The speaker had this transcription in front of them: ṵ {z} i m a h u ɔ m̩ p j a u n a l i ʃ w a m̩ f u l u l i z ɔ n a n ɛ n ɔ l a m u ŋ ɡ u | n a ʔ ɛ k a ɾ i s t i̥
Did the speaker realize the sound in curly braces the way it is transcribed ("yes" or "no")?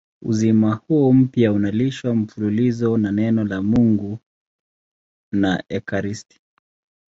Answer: yes